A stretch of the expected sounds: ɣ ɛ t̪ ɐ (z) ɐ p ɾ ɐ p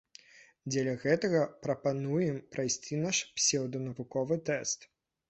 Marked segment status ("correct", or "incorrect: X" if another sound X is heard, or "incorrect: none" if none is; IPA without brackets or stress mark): incorrect: ɣ